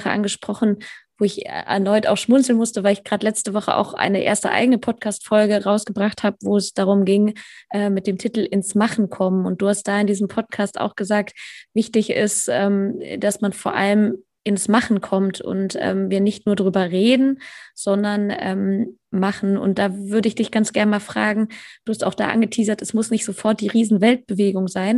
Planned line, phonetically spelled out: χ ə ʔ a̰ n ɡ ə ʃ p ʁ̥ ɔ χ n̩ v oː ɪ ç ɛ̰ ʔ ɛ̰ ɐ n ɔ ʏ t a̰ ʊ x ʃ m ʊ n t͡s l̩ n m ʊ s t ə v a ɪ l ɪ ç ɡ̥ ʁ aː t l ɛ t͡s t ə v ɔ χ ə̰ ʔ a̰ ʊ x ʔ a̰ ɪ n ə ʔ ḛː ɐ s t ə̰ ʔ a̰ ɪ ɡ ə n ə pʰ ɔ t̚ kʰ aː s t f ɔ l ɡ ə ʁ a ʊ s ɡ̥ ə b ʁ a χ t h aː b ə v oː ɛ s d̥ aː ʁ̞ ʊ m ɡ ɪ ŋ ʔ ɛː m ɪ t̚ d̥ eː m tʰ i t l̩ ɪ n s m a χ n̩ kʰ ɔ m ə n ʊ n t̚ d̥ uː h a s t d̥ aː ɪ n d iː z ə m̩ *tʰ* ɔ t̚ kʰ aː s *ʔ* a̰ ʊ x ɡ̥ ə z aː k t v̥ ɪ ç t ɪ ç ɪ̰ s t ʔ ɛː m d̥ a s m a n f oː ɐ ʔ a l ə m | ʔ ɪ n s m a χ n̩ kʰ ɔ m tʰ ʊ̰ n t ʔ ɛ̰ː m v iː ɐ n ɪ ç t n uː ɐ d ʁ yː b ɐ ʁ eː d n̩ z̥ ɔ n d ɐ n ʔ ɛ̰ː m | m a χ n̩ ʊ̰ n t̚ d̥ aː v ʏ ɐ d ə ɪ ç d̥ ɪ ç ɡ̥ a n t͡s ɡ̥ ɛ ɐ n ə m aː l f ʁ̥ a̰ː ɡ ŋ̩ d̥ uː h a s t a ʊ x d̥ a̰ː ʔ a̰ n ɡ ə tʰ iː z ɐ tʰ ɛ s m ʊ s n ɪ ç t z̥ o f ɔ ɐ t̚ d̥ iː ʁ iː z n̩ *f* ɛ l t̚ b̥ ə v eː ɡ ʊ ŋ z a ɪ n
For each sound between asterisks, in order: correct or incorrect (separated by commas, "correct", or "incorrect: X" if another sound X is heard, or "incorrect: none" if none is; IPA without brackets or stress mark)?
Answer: incorrect: pʰ, incorrect: t, incorrect: v